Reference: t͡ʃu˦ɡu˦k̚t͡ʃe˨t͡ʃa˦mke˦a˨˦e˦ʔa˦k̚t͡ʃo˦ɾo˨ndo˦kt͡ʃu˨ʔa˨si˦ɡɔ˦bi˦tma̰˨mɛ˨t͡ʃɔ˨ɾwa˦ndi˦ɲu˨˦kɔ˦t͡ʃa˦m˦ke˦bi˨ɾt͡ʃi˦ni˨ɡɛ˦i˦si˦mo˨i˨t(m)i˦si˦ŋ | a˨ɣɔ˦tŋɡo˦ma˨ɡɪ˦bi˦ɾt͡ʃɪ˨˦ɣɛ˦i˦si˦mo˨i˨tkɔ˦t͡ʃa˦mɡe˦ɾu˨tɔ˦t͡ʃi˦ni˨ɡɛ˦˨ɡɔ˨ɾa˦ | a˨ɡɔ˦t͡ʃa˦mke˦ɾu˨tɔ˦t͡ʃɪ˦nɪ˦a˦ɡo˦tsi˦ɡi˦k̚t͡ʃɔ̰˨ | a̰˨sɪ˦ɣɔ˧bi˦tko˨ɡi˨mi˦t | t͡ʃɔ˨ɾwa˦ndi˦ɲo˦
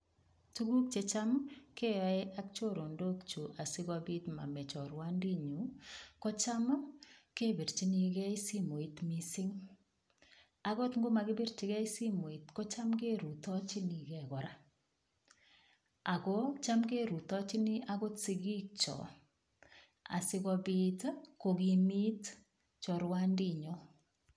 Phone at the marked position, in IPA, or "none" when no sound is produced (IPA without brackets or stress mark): m